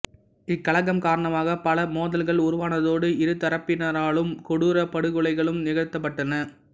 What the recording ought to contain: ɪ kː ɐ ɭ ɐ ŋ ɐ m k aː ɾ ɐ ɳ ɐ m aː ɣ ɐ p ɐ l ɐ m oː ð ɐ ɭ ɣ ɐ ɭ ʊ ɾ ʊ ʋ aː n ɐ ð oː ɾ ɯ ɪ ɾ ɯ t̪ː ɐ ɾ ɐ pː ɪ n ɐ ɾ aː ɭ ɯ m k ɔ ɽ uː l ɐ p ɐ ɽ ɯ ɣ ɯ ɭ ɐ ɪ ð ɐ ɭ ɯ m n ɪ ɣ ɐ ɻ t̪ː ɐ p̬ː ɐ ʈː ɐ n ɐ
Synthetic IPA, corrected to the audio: ɪ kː ɐ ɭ ɐ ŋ ɐ m k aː ɾ ɐ ɳ ɐ m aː ɣ ɐ p ɐ l ɐ m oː ð ɐ l ɣ ɐ ɭ ʊ ɾ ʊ ʋ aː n ɐ ð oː ɽ ɯ ɪ ɾ ɯ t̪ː ɐ ɾ ɐ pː ɪ n ɐ ɾ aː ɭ ɯ m k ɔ ɽ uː ɾ ɐ p ɐ ɽ ɯ ɣ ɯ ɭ ɐ ɪ ɣ ɐ ɭ ɯ m n ɪ ɣ ɐ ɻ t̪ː ɐ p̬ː ɐ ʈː ɐ n ɐ